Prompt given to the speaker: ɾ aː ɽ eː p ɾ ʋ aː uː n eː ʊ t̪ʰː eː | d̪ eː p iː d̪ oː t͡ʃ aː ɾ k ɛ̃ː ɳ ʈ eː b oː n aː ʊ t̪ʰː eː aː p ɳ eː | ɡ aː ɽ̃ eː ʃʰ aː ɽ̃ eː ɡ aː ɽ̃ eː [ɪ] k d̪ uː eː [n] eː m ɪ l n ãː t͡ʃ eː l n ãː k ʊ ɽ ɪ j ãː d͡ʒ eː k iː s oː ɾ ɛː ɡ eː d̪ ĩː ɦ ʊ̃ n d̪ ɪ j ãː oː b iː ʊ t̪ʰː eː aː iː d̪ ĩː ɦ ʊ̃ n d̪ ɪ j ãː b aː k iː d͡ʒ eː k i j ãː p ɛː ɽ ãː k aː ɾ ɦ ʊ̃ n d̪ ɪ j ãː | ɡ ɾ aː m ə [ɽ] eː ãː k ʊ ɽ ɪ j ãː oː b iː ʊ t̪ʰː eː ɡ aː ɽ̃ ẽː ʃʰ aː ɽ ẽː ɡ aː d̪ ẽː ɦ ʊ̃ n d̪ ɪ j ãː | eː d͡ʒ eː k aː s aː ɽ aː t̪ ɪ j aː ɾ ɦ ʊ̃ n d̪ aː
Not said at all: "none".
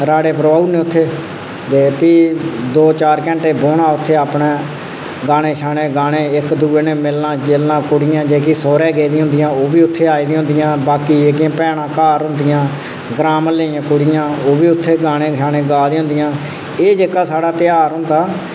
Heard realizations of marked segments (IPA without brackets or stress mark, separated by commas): ɪ, n, l